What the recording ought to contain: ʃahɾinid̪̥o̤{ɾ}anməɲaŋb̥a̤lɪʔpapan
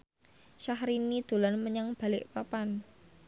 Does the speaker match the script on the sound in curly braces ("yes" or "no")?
no